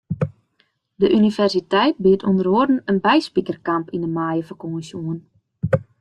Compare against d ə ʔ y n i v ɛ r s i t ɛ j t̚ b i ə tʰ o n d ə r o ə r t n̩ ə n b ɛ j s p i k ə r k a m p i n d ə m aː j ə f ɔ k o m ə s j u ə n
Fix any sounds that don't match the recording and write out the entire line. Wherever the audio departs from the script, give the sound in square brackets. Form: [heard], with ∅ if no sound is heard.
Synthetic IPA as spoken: d ə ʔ y n i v ɛ r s i t ɛ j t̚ b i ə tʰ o n d ə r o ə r [d] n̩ ə n b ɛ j s p i k ə r k a m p i n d ə m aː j ə f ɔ k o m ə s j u ə n